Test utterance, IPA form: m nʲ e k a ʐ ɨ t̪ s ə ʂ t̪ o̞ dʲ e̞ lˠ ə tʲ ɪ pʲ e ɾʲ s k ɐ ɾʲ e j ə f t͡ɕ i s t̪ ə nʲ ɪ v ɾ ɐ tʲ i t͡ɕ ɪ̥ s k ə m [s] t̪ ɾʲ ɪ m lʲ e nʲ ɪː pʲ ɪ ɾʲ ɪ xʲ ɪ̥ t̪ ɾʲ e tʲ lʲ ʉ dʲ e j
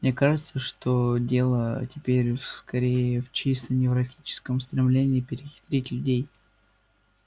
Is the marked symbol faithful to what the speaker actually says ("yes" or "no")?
yes